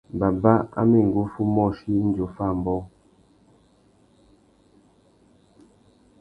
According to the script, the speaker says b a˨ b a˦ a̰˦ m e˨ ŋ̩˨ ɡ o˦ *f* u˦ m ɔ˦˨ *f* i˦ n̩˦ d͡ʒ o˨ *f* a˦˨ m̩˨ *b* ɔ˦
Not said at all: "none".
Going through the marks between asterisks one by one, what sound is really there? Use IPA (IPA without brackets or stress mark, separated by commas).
f, ʃ, f, b